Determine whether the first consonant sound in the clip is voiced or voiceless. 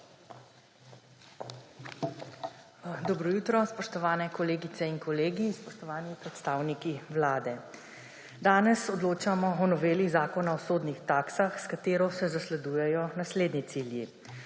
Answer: voiced